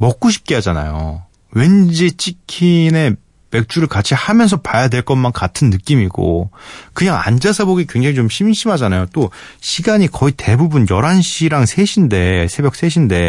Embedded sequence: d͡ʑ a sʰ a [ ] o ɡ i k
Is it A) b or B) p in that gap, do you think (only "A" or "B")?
A